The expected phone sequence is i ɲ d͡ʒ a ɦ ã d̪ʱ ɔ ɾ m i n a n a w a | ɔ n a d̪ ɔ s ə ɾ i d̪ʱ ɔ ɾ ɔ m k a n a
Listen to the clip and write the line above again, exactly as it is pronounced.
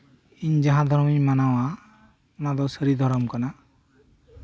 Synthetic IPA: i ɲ d͡ʒ a ɦ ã d̪ʱ ɔ ɾ m i m a n a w a | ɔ n a d̪ ɔ s ə ɾ i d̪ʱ ɔ ɾ ɔ m k a n a